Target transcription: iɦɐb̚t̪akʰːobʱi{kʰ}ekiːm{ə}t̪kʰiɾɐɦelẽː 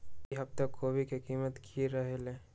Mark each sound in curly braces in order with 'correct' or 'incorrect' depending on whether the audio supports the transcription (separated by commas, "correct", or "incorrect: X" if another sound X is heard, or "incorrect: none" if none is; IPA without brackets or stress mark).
incorrect: k, correct